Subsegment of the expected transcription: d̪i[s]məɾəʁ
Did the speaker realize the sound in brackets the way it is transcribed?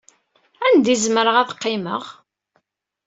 no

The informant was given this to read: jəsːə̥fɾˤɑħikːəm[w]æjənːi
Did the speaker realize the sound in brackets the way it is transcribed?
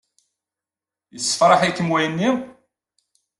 yes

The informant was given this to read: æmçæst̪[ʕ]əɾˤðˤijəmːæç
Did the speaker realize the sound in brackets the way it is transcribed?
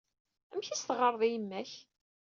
no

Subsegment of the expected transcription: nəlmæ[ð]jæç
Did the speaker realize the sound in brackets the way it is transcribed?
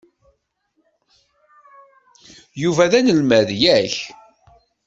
yes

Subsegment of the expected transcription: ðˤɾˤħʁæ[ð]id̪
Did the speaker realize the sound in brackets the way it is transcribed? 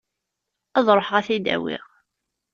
no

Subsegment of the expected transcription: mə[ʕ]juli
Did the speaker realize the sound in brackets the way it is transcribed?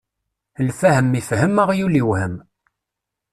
no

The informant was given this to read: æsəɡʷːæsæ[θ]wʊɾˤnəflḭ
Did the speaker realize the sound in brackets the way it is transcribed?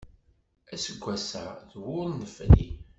no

